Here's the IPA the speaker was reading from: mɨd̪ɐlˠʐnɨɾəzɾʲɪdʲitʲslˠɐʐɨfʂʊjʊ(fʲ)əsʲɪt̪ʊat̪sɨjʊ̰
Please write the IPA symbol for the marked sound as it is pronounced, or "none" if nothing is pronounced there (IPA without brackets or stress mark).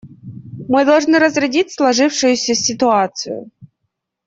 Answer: sʲ